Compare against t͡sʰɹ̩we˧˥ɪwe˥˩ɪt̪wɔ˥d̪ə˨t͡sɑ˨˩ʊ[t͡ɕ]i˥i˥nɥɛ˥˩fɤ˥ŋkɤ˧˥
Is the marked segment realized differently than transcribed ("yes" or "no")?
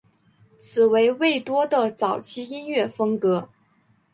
yes